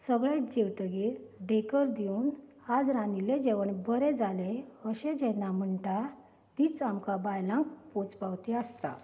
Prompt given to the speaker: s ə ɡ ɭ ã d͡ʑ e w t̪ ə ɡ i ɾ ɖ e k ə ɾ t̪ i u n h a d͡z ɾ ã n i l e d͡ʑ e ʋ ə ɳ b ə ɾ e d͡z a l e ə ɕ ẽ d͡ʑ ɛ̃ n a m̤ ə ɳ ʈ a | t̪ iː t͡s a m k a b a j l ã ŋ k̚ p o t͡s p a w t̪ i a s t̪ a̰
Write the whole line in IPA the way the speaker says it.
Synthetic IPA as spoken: s ə ɡ ɭ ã d͡ʑ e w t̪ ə ɡ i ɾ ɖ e k ə ɾ d̪ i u n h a d͡z ɾ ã n i l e d͡ʑ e ʋ ə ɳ b ə ɾ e d͡z a l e ə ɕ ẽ d͡ʑ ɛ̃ n a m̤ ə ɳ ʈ a | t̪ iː t͡s a m k a b a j l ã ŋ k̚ p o t͡s p a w t̪ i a s t̪ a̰